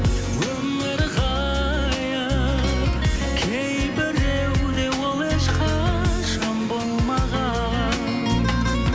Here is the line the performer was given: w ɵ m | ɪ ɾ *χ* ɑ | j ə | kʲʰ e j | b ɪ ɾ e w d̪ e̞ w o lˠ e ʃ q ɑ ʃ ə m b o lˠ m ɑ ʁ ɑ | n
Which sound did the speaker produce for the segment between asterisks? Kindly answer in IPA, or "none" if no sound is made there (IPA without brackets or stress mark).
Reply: ʁ